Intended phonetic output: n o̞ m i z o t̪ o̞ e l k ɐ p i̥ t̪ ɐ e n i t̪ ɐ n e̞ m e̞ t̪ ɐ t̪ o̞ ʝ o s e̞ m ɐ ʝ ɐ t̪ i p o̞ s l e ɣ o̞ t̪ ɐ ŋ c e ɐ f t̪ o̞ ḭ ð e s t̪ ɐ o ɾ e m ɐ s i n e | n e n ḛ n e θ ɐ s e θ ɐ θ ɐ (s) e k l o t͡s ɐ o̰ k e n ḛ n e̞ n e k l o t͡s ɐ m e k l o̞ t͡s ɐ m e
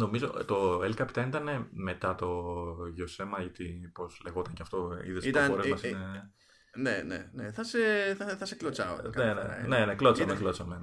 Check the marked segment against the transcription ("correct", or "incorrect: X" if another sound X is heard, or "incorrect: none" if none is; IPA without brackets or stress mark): correct